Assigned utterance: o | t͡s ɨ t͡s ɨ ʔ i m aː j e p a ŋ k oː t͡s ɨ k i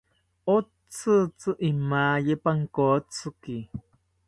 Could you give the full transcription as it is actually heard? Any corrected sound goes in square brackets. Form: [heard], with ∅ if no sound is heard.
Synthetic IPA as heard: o | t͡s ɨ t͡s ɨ ʔ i m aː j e p a ŋ k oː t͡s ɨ k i